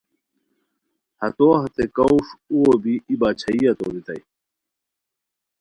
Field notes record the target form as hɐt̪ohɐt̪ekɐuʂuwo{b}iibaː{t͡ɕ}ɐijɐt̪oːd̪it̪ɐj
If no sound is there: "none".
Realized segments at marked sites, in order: b, t͡ɕʰ

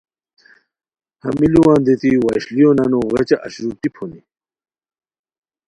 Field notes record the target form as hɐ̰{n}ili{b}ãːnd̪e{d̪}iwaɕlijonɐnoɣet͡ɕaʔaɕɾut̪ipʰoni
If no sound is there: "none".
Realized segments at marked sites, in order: m, w, t̪

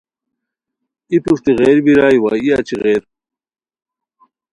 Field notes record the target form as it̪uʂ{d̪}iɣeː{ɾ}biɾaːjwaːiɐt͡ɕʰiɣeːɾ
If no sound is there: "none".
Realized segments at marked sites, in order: t̪, ɾ

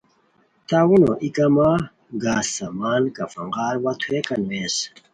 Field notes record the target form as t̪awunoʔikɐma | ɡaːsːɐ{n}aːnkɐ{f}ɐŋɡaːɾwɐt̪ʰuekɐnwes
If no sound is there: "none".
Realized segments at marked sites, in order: m, f

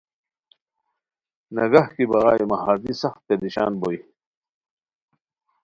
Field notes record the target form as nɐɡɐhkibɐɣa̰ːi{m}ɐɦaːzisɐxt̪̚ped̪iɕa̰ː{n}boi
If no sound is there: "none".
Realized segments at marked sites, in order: m, n

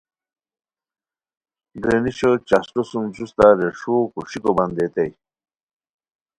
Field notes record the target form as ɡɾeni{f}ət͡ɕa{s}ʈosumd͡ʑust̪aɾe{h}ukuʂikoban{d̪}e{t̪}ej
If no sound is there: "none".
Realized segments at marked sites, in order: ɕ, s, ʂ, d̪, t̪

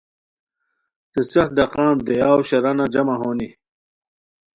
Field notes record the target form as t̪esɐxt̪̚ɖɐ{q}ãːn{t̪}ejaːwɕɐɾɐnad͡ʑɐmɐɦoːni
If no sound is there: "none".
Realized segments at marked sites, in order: q, d̪

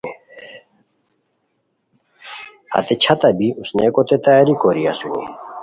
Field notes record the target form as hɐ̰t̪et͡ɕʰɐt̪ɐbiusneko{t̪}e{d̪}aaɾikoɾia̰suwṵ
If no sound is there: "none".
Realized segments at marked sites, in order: t̪, t̪

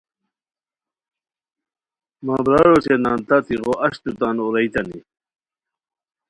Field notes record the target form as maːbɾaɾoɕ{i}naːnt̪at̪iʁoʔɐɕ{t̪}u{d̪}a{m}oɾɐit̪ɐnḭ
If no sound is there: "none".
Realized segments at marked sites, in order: e, t̪, t̪, n

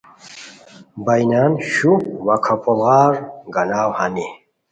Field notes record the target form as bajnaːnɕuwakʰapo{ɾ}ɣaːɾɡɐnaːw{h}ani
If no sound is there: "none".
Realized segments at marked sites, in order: l, h

